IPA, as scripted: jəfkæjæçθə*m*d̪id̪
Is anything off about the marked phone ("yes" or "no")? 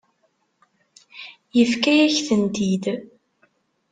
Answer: yes